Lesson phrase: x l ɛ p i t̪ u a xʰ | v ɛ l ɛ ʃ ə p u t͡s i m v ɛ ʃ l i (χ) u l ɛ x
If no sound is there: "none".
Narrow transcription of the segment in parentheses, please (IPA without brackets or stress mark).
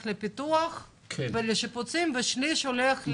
ʃ